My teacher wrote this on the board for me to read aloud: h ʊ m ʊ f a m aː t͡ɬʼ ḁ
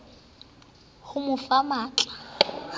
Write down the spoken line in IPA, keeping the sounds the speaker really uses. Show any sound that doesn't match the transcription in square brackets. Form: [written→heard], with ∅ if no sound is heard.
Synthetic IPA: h ʊ m ʊ f a m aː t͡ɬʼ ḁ